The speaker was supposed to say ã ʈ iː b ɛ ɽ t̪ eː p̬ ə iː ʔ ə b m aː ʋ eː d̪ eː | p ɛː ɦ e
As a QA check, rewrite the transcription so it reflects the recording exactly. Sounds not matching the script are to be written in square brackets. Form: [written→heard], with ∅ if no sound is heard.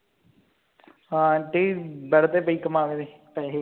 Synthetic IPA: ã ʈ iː b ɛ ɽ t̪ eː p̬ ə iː [ʔ→k] ə [b→∅] m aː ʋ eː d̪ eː | p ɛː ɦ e